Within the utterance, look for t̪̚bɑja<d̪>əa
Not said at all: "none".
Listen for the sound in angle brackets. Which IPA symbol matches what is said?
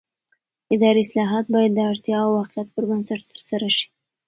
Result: d̪ː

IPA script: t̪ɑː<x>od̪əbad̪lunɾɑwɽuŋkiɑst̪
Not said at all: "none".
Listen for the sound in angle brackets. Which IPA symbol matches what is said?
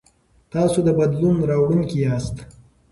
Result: s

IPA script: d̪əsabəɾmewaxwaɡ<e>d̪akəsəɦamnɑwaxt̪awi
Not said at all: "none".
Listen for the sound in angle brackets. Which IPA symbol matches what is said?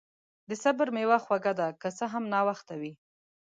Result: a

